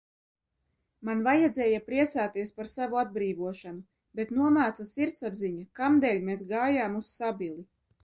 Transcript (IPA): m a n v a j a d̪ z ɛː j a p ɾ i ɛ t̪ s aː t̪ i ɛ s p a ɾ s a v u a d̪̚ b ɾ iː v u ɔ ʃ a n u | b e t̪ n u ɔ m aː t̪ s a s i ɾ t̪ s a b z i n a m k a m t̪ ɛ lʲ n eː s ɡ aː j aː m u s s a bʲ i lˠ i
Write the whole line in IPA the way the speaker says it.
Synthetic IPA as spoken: m a n v a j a d̪ z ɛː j a p ɾ i ɛ t̪ s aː t̪ i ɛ s p a ɾ s a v u a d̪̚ b ɾ iː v u ɔ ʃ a n u | b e t̪ n u ɔ m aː t̪ s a s i ɾ t̪ s a b z i ɲ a k a m d̪ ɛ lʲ m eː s ɡ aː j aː m u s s a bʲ i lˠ i